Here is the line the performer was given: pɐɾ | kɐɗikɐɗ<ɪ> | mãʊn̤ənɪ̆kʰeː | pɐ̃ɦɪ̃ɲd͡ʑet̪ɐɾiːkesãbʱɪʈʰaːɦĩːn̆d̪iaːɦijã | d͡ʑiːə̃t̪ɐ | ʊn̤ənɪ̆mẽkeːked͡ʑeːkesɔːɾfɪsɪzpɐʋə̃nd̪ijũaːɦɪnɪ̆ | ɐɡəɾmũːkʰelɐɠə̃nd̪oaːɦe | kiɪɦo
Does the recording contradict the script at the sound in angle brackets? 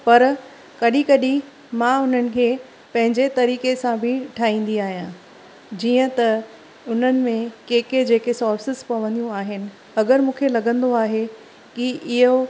yes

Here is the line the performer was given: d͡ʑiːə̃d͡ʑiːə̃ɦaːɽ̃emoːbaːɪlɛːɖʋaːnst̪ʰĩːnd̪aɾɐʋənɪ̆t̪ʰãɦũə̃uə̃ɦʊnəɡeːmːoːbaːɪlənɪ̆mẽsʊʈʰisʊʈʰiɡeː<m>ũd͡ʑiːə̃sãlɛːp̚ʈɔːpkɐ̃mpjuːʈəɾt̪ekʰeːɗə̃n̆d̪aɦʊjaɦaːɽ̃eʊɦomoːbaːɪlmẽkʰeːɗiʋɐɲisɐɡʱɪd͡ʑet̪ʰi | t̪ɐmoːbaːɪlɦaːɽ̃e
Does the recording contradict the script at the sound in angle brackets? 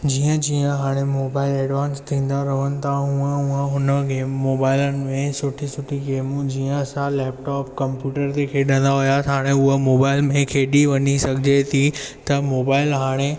no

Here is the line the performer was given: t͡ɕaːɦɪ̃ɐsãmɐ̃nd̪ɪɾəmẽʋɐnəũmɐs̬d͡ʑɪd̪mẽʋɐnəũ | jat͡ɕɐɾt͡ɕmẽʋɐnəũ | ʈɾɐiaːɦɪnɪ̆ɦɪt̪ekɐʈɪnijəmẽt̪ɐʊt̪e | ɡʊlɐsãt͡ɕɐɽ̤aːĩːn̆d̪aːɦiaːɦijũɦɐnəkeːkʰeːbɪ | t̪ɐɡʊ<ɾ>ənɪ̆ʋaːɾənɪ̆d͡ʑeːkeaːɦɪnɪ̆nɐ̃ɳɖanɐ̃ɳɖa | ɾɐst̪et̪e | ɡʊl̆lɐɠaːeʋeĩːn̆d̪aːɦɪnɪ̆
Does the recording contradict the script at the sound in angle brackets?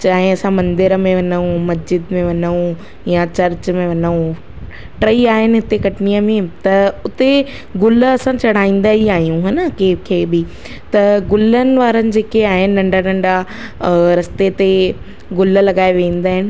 yes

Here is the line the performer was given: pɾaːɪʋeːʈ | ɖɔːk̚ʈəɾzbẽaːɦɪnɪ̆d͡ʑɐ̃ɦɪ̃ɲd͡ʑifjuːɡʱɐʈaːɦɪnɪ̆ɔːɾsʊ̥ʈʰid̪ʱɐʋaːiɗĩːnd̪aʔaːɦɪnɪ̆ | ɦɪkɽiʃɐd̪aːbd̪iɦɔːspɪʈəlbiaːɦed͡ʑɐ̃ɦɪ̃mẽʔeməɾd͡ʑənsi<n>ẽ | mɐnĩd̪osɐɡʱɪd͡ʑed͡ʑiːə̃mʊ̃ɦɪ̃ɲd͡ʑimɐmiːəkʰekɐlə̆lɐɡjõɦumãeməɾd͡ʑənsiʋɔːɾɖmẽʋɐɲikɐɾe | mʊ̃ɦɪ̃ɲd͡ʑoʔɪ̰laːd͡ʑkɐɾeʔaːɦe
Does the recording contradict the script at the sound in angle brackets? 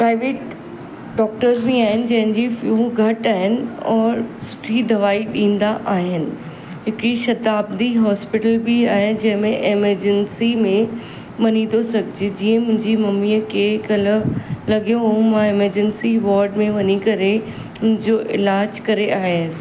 yes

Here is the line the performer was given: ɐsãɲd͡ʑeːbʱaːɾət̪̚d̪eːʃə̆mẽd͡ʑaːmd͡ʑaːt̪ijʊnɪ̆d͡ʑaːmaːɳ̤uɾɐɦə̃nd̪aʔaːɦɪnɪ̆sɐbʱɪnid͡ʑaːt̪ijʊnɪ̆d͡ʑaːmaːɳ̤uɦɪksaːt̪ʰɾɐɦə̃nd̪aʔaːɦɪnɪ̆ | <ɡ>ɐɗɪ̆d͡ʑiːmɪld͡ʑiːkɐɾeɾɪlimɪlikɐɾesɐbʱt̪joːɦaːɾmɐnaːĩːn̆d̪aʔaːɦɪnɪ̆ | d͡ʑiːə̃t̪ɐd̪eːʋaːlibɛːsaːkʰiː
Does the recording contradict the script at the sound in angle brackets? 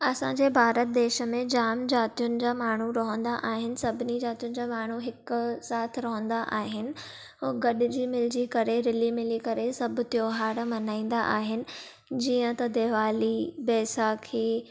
no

